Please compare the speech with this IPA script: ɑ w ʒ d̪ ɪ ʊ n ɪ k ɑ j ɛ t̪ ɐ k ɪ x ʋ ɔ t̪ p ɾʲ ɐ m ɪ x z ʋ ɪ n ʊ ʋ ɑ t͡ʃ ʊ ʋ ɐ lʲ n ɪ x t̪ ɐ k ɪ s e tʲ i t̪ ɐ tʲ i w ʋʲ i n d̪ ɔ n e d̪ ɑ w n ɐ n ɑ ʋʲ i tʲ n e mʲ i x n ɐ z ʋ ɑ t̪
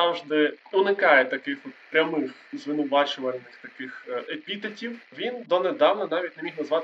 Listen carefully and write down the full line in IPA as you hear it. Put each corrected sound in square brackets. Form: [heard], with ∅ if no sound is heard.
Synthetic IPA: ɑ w ʒ d̪ ɪ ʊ n ɪ k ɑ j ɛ t̪ ɐ k ɪ x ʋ ɔ t̪ p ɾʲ ɐ m ɪ x z ʋ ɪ n ʊ ʋ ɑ t͡ʃ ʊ ʋ ɐ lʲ n ɪ x t̪ ɐ k ɪ [x] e [pʲ] i t̪ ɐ tʲ i w ʋʲ i n d̪ ɔ n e d̪ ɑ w n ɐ n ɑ ʋʲ i tʲ n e mʲ i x n ɐ z ʋ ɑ t̪